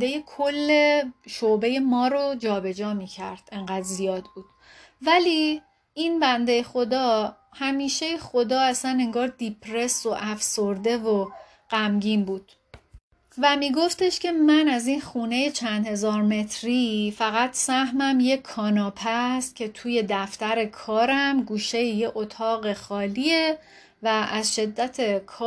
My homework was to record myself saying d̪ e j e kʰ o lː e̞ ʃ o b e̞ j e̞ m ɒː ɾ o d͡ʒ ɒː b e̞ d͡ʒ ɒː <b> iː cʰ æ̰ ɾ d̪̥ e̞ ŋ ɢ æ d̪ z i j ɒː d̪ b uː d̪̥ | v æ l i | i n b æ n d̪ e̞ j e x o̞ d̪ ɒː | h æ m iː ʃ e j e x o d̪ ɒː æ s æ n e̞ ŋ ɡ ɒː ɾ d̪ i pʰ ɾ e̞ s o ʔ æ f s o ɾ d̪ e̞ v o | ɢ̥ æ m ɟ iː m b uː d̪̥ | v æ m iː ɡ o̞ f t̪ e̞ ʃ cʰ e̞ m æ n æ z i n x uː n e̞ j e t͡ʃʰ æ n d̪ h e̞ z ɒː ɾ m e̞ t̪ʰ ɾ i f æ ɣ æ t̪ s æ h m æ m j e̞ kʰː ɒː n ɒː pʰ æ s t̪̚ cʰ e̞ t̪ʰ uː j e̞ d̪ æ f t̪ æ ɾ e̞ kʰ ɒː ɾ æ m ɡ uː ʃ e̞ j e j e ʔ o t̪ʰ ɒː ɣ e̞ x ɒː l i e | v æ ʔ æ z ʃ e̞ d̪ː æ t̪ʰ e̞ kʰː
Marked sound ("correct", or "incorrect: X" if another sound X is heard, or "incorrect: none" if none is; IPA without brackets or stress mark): incorrect: m